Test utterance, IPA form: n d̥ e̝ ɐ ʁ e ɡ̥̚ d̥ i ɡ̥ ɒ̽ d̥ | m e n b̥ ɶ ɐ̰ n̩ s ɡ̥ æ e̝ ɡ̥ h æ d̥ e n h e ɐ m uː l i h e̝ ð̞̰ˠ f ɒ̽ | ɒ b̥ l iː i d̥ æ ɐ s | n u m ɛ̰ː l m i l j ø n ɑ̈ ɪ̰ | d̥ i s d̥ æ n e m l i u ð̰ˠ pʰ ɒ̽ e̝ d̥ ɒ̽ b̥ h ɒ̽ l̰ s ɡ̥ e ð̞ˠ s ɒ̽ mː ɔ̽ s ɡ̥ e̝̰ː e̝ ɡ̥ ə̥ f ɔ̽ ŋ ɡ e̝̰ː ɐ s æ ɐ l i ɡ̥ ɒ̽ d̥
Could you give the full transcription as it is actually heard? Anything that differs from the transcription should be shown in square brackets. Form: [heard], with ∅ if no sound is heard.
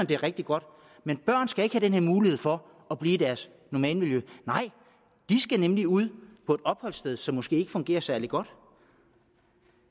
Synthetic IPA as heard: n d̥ e̝ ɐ ʁ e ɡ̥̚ d̥ i ɡ̥ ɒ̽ d̥ | m e n b̥ ɶ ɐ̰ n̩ s ɡ̥ æ e̝ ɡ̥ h æ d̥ e n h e ɐ m uː l i h e̝ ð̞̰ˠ f ɒ̽ | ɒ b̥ l iː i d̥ æ ɐ s | n [ɒ] m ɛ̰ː l m i l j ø n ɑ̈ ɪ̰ | d̥ i s [ɡ̥] æ n e m l i u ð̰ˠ pʰ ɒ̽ e̝ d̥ ɒ̽ b̥ h ɒ̽ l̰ s [d̥] e ð̞ˠ s ɒ̽ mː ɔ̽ s ɡ̥ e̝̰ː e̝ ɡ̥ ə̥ f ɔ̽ ŋ ɡ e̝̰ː ɐ s æ ɐ l i ɡ̥ ɒ̽ d̥